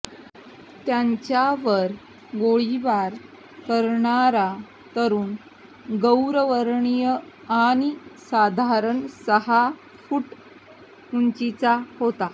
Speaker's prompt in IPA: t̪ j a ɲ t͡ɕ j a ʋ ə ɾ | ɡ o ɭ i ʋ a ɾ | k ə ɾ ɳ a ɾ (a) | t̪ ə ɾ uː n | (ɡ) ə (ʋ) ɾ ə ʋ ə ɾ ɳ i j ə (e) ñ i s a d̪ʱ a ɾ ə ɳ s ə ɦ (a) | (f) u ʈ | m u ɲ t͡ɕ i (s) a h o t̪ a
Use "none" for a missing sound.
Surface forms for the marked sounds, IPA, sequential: a, ɡ, w, a, a, f, t͡s

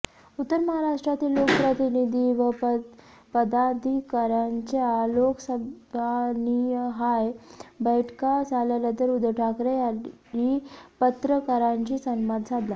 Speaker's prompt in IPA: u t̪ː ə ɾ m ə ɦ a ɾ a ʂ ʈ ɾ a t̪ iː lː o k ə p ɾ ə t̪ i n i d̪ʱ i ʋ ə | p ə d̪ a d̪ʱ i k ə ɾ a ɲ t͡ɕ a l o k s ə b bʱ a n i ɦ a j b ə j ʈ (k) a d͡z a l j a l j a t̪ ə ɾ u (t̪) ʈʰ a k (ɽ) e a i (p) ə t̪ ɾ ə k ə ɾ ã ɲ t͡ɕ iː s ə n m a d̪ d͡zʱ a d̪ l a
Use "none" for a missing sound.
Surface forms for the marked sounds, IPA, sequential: k, d̪, ɾ, p

